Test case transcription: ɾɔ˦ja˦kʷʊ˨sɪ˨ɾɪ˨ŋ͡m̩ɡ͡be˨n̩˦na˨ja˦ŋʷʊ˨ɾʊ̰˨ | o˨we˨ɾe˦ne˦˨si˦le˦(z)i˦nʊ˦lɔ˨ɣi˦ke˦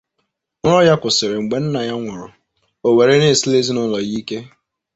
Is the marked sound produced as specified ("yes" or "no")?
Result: yes